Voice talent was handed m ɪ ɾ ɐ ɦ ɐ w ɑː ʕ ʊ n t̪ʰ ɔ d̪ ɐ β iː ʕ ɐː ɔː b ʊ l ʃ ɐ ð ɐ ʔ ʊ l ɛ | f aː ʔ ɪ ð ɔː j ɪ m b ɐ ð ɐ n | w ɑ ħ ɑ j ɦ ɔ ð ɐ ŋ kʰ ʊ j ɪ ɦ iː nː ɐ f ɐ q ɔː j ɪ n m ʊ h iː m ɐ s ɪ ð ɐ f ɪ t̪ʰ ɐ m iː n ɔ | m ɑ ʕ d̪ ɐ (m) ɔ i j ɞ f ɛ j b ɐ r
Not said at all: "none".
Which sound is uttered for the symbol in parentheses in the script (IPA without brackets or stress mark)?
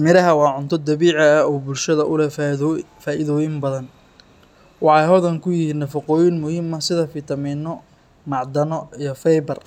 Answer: n